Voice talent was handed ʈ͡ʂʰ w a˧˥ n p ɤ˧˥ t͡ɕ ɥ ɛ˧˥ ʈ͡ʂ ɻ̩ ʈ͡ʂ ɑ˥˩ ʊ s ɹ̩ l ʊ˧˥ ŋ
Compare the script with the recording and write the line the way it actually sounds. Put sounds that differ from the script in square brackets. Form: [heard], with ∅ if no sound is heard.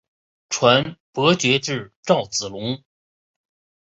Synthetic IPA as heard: ʈ͡ʂʰ w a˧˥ n p ɤ˧˥ t͡ɕ ɥ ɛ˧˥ ʈ͡ʂ ɻ̩ ʈ͡ʂ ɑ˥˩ ʊ [t͡s] ɹ̩ l ʊ˧˥ ŋ